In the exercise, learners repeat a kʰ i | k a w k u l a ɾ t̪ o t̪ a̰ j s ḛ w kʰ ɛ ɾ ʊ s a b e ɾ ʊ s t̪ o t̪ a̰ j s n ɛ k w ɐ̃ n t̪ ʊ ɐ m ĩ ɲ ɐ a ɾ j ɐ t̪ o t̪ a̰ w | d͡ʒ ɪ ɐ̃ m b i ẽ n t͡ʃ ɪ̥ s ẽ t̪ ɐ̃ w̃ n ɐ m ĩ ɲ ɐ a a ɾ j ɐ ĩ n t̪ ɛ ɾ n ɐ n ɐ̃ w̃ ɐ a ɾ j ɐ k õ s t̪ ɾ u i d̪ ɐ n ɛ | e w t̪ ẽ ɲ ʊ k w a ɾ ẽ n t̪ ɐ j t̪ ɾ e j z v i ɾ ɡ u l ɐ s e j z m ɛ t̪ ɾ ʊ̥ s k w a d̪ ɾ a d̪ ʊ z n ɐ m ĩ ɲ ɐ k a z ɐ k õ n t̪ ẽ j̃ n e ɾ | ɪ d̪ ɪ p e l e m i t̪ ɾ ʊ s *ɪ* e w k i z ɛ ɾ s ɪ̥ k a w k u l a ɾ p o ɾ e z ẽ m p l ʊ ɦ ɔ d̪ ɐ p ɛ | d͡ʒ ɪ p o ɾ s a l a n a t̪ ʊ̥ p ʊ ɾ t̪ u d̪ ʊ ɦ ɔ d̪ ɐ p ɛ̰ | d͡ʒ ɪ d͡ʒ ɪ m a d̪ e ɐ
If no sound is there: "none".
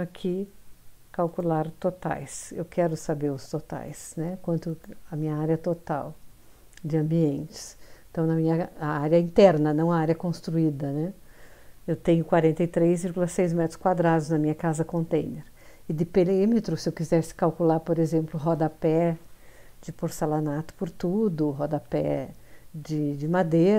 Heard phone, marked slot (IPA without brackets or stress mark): ɪ